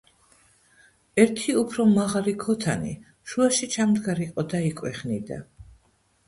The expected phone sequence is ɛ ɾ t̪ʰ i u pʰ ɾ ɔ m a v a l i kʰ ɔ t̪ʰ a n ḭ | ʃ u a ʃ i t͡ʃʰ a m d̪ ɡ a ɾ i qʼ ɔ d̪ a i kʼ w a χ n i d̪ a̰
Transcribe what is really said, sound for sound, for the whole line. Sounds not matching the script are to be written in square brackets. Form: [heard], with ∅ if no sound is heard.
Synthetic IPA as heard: ɛ ɾ t̪ʰ i u pʰ ɾ ɔ m a [ʁ] a l i kʰ ɔ t̪ʰ a n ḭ | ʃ u a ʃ i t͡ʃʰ a m d̪ ɡ a ɾ i qʼ ɔ d̪ a i kʼ w [ɛ] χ n i d̪ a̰